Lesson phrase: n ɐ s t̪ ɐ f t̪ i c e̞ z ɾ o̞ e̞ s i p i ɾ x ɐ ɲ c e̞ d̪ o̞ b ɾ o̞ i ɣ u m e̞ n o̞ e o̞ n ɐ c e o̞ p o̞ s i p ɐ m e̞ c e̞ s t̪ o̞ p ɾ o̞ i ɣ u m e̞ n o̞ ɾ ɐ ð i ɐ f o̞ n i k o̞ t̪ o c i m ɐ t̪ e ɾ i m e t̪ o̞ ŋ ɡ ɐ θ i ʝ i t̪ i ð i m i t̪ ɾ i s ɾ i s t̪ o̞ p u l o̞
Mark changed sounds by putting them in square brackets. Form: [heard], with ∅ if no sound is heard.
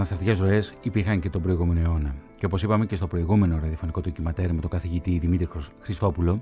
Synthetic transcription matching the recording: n ɐ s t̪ ɐ f t̪ i c e̞ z ɾ o̞ e̞ s i p i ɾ x ɐ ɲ c e̞ [t̪] o̞ b ɾ o̞ i ɣ u m e̞ n o̞ e o̞ n ɐ c e o̞ p o̞ s i p ɐ m e̞ c e̞ s t̪ o̞ p ɾ o̞ i ɣ u m e̞ n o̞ ɾ ɐ ð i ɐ f o̞ n i k o̞ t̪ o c i m ɐ t̪ e ɾ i m e t̪ o̞ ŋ ɡ ɐ θ i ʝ i t̪ i ð i m i t̪ ɾ i [x] ɾ i s t̪ o̞ p u l o̞